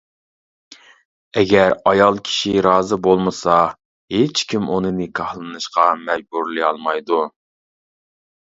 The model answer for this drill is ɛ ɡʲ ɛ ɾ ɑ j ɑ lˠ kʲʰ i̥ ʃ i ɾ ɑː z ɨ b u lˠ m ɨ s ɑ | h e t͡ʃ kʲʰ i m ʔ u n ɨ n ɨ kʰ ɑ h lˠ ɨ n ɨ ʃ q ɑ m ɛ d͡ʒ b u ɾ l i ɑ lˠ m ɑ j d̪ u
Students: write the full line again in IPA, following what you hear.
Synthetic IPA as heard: ɛ ɡʲ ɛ ɾ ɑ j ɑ lˠ kʲʰ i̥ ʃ i ɾ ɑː z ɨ b o lˠ m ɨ s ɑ | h e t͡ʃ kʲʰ i m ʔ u n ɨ n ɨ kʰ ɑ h lˠ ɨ n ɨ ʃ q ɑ m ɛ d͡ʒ b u ɾ l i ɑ lˠ m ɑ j d̪ u